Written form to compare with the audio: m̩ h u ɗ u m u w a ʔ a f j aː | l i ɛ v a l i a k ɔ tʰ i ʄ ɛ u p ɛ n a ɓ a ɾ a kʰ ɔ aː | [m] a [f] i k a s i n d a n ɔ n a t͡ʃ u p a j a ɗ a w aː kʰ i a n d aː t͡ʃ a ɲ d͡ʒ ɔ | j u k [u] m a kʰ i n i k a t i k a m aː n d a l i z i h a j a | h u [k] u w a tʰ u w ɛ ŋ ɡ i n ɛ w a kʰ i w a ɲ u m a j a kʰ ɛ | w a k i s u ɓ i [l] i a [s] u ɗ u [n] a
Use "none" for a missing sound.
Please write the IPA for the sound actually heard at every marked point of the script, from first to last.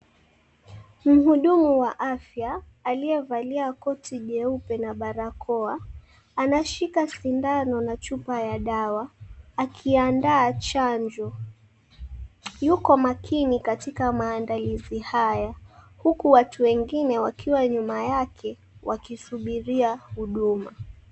n, ʃ, ɔ, k, ɾ, h, m

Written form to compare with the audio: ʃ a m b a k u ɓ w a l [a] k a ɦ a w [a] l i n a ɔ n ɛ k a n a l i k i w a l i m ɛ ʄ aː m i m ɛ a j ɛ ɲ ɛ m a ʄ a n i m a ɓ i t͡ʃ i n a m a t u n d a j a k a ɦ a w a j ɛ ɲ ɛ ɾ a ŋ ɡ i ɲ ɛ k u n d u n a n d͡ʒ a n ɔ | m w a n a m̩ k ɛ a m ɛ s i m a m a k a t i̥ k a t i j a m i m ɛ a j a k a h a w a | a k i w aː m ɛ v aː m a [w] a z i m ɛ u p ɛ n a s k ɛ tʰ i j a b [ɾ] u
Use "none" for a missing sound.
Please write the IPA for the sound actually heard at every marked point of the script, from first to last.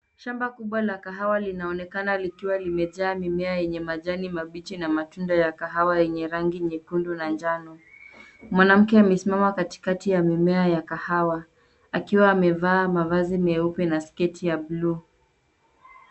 a, a, v, l

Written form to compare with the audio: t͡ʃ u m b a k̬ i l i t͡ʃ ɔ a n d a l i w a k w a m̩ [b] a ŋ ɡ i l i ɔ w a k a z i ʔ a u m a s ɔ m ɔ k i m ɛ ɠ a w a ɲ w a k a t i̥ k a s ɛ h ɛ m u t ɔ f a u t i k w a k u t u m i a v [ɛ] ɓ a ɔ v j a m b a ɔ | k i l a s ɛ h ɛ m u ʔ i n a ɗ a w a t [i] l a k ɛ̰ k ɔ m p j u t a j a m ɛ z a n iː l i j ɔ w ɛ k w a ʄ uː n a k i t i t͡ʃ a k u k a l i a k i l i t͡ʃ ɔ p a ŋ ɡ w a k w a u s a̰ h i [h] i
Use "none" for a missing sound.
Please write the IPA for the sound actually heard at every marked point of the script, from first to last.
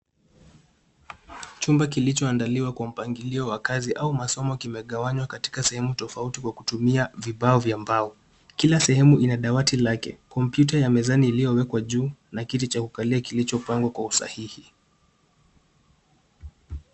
p, i, i, h

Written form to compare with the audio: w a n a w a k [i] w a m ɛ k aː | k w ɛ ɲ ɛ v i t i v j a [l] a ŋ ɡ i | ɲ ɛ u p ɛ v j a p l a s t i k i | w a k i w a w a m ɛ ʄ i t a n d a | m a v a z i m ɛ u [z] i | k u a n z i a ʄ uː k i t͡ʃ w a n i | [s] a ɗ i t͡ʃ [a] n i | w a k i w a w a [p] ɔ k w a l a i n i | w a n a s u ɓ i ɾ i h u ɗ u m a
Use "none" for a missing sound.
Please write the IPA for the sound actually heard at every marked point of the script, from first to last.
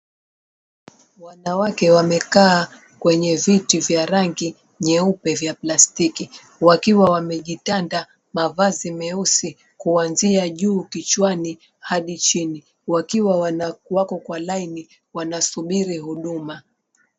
ɛ, ɾ, s, h, i, k

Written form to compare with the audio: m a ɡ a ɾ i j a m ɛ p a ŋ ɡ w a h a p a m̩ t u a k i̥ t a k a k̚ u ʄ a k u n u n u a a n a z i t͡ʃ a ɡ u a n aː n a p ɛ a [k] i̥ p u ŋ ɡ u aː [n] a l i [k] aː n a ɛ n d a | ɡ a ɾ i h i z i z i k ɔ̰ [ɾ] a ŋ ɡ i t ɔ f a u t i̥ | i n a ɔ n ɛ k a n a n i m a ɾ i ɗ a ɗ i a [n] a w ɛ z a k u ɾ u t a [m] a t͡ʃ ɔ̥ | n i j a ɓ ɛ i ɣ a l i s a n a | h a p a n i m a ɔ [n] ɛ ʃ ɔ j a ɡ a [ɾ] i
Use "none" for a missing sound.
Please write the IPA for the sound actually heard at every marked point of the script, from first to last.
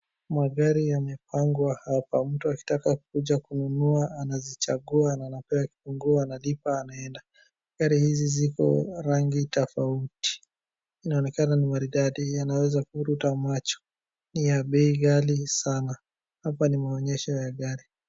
k, n, p, ɾ, n, m, ɲ, ɾ

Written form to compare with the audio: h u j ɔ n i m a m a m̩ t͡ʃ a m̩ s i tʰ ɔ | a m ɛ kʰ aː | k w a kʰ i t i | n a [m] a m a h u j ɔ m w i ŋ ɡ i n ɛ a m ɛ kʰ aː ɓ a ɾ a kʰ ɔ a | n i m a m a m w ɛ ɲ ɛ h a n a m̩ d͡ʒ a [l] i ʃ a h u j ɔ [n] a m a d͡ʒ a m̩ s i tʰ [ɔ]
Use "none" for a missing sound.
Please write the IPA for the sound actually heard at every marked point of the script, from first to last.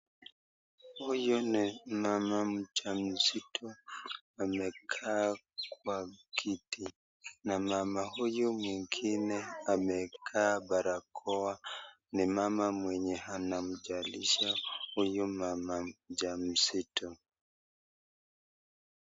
m, l, m, ɔ

